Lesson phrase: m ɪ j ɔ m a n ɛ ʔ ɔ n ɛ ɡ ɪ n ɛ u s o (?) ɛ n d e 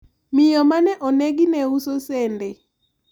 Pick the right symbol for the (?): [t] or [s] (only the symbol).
s